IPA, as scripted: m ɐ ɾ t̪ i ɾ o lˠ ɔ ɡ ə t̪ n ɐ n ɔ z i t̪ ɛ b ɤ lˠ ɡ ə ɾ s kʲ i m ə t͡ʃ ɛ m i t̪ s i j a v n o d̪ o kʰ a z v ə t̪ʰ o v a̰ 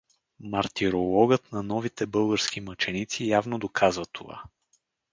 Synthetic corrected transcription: m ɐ ɾ t̪ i ɾ o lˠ ɔ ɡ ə t̪ n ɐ n ɔ v i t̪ ɛ b ɤ lˠ ɡ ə ɾ s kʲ i m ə t͡ʃ ɛ n i t̪ s i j a v n o d̪ o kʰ a z v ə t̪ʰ o v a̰